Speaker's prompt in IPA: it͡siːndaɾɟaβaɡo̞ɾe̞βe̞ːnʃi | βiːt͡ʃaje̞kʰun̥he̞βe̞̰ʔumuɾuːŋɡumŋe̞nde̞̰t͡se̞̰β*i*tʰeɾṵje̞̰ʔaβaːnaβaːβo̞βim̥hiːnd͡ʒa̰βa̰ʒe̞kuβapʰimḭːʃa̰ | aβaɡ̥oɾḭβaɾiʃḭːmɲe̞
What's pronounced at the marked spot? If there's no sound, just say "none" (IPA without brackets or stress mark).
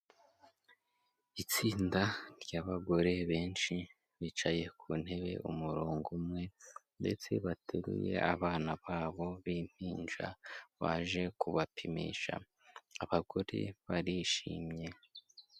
a